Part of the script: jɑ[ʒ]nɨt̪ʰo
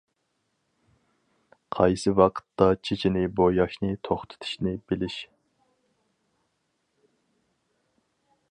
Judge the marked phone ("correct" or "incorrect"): incorrect